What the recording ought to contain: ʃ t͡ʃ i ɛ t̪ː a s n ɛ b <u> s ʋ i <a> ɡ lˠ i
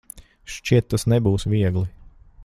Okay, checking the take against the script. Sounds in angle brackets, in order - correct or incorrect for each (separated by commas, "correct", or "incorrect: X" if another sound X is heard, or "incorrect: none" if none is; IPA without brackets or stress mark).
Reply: incorrect: uː, incorrect: ɛ